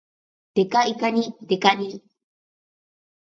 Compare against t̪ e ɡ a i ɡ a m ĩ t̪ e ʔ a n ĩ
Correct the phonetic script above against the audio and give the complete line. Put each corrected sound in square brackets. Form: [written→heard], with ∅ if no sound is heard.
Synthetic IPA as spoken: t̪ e [ɡ→k] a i [ɡ→k] a [m→n] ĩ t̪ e [ʔ→k] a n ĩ